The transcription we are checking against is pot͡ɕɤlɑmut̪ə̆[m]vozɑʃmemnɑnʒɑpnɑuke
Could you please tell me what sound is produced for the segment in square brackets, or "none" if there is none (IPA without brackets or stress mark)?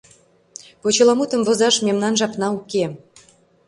m